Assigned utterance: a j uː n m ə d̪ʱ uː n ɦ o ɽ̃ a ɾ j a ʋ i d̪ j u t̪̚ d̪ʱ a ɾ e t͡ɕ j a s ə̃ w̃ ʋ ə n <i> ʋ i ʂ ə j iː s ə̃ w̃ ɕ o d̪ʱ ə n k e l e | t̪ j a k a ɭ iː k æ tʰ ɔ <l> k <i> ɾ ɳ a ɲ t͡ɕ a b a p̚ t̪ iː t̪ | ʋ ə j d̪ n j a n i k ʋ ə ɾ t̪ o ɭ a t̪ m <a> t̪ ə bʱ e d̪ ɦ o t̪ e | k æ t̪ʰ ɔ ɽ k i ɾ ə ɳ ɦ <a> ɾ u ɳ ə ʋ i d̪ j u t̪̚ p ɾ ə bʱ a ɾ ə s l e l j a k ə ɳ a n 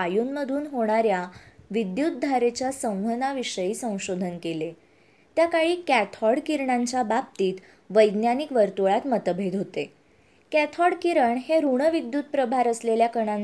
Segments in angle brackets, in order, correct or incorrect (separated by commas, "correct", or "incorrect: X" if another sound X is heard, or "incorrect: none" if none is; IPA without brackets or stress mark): incorrect: a, incorrect: ɽ, correct, incorrect: ə, incorrect: e